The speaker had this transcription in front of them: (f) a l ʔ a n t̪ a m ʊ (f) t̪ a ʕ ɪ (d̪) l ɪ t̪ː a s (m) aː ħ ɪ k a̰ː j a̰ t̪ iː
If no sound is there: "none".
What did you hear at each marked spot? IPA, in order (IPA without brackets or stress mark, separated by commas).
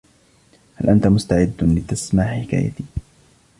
h, s, d̪ː, m